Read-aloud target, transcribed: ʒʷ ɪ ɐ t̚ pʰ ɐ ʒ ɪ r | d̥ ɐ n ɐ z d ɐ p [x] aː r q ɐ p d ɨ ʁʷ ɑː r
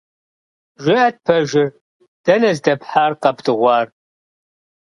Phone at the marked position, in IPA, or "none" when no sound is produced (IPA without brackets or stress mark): ħ